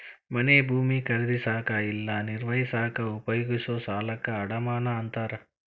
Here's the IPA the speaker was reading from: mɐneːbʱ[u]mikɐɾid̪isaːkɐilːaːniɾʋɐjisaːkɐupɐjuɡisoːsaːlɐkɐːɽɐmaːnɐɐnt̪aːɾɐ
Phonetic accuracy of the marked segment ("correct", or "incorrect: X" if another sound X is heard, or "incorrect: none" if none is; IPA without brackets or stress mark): incorrect: uː